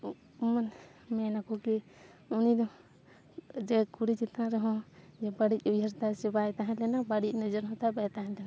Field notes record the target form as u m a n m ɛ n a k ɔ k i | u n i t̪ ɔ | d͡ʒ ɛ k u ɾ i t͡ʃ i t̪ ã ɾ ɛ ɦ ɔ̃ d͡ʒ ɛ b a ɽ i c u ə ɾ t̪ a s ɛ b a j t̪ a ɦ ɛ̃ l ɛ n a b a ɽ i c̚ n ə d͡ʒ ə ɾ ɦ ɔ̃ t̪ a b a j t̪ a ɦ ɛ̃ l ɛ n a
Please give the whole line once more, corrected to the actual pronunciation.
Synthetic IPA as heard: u m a n m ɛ n a k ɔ k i | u n i d̪ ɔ | d͡ʒ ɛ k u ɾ i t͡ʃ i t̪ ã ɾ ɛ ɦ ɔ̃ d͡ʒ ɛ b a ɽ i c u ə ɾ t̪ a s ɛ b a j t̪ a ɦ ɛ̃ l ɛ n a b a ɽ i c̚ n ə d͡ʒ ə ɾ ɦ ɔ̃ t̪ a b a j t̪ a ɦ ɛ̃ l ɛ n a